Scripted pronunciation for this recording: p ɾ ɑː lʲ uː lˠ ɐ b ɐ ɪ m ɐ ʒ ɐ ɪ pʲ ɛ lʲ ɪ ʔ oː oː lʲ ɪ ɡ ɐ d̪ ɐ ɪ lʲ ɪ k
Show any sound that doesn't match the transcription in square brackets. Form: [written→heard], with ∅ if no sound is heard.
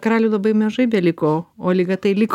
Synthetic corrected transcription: [p→k] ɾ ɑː lʲ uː lˠ ɐ b ɐ ɪ m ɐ ʒ ɐ ɪ [pʲ→bʲ] ɛ lʲ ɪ [ʔ→k] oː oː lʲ ɪ ɡ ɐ [d̪→t̪] ɐ ɪ lʲ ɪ k